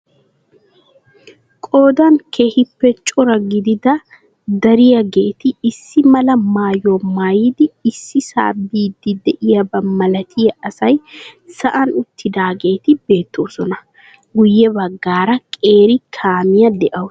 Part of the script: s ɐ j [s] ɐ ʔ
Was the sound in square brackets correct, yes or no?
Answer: yes